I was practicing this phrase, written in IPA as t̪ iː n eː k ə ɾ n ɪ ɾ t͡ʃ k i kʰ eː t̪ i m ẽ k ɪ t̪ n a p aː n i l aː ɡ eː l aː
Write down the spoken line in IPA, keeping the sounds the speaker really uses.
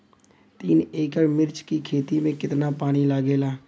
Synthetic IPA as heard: t̪ iː n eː k ə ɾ m ɪ ɾ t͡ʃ k i kʰ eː t̪ i m ẽ k ɪ t̪ n a p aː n i l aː ɡ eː l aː